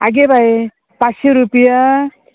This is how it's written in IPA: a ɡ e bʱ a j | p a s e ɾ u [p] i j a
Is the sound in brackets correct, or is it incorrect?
correct